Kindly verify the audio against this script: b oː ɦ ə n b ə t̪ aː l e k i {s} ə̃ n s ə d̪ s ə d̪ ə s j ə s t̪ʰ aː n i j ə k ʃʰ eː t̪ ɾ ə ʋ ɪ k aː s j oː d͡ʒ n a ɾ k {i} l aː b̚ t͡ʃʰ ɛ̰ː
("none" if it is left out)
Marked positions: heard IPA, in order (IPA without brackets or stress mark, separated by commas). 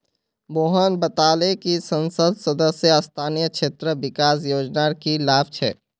s, i